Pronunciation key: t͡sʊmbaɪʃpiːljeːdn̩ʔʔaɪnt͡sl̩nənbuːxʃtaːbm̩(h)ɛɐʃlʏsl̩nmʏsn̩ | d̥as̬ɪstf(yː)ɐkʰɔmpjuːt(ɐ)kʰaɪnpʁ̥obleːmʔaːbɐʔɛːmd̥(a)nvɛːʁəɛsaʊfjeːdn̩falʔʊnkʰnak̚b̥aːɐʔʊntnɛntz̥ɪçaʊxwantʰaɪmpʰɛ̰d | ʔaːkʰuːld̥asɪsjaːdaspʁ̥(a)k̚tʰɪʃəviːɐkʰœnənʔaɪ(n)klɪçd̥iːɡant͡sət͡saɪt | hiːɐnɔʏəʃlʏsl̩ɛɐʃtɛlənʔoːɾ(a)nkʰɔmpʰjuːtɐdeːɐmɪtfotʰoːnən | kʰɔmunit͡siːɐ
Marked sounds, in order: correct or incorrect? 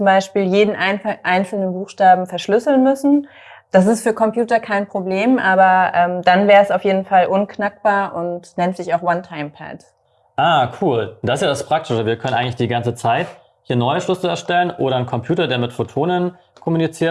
incorrect: f, correct, correct, correct, correct, incorrect: ŋ, incorrect: ɐ

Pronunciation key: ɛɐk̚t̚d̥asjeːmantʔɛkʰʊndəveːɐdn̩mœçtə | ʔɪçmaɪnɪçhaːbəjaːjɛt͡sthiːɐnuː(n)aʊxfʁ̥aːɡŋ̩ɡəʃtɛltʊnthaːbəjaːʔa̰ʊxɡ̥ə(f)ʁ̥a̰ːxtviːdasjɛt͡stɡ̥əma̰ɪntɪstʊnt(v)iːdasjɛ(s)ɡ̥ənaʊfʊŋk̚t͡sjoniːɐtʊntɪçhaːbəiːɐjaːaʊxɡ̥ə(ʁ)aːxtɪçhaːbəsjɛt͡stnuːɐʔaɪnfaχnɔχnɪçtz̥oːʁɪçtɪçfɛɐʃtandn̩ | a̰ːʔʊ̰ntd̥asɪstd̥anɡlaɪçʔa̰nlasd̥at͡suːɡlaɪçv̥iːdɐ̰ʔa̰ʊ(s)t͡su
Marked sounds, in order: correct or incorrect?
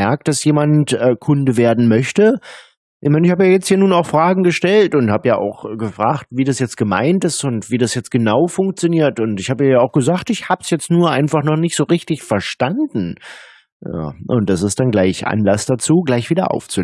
correct, correct, correct, incorrect: t͡s, incorrect: z, incorrect: f

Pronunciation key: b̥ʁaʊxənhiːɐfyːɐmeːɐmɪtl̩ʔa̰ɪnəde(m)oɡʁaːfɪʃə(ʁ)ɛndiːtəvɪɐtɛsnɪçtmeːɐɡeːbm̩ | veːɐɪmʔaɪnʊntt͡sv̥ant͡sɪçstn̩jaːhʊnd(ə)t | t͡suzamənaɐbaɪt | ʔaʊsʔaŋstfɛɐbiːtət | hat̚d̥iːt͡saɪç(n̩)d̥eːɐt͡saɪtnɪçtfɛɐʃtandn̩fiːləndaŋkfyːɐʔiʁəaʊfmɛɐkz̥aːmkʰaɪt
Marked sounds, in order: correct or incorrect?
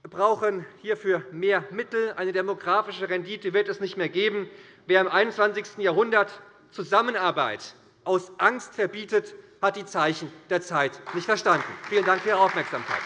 correct, correct, incorrect: ɐ, correct

